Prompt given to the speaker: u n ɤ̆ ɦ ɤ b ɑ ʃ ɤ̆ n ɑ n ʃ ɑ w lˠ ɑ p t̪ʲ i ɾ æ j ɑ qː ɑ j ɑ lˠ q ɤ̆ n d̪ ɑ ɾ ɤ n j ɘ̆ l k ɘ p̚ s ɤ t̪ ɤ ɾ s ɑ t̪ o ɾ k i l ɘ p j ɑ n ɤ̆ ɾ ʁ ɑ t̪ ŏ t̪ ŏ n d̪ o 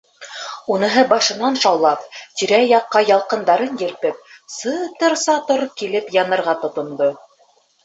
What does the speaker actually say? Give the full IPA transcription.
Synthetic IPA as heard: u n ɤ̆ ɦ ɤ b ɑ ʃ ɤ̆ n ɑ n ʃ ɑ w lˠ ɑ p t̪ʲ i ɾ æ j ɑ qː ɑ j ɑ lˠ q ɤ̆ n d̪ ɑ ɾ ɤ n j ɘ̆ l p ɘ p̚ s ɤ t̪ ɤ ɾ s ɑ t̪ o ɾ k i l ɘ p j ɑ n ɤ̆ ɾ ʁ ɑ t̪ ŏ t̪ ŏ n d̪ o